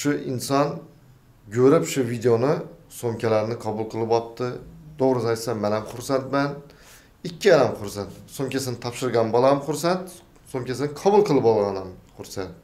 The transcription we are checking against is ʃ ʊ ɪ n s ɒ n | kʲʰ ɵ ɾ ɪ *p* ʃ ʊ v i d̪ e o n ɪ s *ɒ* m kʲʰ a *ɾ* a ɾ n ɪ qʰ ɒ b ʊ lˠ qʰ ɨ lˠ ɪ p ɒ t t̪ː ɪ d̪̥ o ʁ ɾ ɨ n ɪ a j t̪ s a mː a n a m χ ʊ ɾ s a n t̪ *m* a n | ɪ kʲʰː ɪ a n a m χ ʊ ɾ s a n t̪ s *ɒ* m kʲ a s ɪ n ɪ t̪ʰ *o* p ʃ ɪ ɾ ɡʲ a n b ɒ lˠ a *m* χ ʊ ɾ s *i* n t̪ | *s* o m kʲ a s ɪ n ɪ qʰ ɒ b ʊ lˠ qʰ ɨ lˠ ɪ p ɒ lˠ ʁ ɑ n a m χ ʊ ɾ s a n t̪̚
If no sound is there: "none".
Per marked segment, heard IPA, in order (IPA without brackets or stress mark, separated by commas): p, o, l, m, o, ɒ, m, a, s